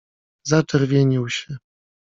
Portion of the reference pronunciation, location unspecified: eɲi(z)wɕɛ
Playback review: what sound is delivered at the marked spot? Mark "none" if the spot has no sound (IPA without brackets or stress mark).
none